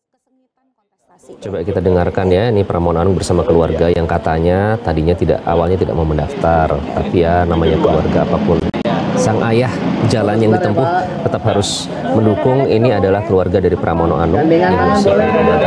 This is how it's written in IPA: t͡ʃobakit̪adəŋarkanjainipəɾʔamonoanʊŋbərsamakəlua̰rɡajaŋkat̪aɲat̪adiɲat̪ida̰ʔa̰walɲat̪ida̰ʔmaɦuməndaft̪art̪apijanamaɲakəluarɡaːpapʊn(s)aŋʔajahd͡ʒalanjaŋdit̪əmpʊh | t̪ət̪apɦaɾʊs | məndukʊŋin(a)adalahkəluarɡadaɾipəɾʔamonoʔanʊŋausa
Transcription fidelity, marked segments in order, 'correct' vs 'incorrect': correct, incorrect: i

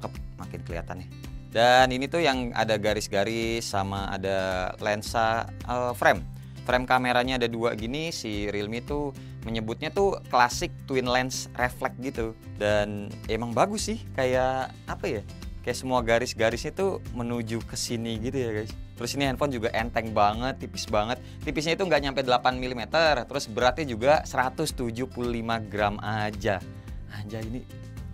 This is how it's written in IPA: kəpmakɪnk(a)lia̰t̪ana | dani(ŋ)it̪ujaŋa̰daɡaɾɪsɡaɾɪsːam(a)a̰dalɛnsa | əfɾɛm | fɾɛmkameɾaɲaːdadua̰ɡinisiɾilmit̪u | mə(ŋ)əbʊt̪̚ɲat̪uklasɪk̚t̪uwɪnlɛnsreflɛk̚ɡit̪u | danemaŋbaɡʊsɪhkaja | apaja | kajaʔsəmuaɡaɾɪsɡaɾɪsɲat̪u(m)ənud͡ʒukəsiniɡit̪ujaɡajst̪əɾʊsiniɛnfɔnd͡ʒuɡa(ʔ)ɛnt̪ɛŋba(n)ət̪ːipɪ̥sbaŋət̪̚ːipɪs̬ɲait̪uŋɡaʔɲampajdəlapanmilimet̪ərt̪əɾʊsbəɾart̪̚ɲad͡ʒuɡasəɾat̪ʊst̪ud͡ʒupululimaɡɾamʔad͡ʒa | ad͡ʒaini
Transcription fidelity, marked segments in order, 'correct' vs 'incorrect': incorrect: ə, incorrect: n, correct, incorrect: ɲ, correct, correct, incorrect: ŋ

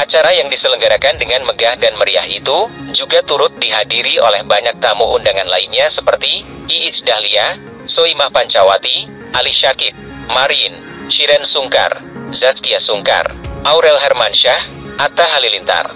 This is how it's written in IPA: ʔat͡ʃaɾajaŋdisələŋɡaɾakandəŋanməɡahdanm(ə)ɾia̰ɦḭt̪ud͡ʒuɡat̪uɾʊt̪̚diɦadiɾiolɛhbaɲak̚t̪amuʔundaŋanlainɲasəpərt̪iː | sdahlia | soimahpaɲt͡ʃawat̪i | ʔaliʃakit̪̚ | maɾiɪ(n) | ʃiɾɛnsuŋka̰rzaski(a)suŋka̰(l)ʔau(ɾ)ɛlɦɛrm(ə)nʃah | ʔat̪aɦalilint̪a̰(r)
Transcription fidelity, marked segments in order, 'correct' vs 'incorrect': correct, correct, correct, incorrect: r, correct, incorrect: a, correct

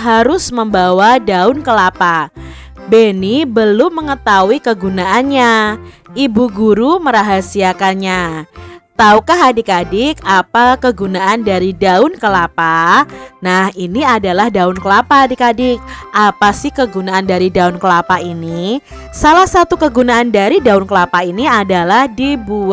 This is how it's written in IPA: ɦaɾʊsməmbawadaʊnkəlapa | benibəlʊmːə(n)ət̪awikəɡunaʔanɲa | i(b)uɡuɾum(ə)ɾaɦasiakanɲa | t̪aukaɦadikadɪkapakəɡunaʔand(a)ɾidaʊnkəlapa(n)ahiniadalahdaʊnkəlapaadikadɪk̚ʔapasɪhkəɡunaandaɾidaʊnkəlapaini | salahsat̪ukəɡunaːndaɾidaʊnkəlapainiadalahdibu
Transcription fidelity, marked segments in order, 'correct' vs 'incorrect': incorrect: ŋ, correct, correct, correct, correct

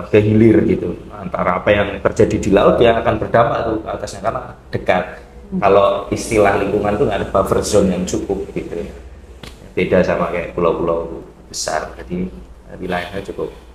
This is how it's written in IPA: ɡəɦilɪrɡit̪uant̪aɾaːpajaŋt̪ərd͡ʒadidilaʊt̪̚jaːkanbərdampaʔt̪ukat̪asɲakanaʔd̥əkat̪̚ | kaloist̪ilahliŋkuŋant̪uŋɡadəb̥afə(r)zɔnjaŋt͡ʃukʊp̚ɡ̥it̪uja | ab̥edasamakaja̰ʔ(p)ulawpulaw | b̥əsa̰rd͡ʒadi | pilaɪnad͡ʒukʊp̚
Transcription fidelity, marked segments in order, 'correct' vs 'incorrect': correct, correct

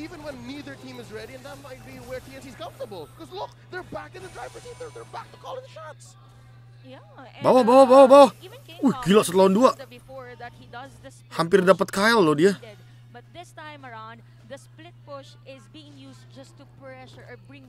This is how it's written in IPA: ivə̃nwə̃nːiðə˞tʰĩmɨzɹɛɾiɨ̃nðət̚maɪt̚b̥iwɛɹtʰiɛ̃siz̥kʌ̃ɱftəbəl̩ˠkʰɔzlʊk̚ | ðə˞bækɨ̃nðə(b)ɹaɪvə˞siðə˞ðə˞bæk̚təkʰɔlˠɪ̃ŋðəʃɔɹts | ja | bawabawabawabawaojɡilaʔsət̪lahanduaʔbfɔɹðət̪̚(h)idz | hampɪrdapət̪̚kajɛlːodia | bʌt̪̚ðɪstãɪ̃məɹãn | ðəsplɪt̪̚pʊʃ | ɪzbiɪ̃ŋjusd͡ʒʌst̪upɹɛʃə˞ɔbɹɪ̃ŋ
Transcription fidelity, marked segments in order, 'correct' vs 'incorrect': incorrect: d, correct

